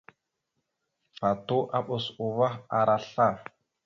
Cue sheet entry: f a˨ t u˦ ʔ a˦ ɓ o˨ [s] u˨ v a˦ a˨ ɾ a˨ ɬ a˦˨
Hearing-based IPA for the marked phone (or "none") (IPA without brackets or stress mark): s